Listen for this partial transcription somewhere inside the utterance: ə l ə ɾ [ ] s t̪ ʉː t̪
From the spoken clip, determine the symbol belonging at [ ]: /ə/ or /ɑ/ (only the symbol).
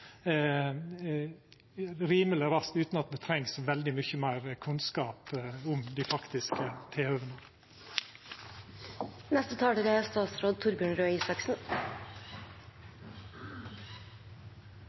ɑ